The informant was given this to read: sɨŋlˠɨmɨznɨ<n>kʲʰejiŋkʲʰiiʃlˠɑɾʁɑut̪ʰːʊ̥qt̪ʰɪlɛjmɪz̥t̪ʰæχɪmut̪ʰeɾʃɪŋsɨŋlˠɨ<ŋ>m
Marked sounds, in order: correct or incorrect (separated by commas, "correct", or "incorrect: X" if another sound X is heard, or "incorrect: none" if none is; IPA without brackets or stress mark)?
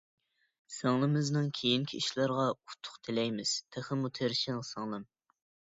incorrect: ŋ, incorrect: none